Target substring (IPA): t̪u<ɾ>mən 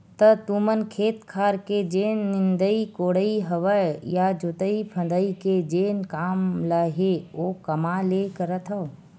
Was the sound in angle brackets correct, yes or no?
no